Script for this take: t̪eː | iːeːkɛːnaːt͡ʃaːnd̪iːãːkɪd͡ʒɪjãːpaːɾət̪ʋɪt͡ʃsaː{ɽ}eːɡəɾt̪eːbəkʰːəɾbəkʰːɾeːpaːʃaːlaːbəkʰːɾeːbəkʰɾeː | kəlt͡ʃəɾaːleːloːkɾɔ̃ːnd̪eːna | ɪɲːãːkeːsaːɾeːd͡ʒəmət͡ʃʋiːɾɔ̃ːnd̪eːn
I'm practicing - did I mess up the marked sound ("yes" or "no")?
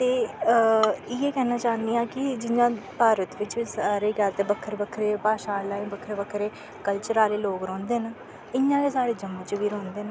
yes